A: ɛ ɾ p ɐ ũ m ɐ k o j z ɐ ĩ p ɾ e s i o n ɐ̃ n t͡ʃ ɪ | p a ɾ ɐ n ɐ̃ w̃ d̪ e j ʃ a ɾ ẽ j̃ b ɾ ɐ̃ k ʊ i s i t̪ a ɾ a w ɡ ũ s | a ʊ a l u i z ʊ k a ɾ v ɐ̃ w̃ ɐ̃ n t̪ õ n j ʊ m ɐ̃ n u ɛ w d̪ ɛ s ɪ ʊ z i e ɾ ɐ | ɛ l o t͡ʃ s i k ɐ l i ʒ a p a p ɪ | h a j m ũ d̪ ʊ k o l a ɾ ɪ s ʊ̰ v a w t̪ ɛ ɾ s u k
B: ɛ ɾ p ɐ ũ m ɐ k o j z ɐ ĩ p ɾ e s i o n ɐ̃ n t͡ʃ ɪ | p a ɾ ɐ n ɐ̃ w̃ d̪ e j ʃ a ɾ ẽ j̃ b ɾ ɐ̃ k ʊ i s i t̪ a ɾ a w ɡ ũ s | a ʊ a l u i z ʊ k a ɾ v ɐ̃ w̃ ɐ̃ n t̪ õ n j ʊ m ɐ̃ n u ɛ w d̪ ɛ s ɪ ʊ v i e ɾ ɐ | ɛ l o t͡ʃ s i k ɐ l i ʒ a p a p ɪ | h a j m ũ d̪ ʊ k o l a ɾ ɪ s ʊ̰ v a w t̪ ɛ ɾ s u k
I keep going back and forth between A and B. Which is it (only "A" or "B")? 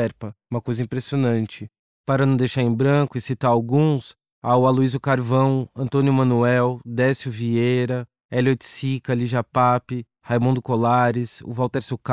B